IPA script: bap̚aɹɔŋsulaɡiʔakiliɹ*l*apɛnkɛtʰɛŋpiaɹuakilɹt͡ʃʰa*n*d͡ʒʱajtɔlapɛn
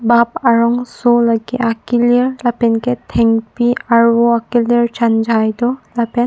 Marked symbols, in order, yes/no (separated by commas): yes, yes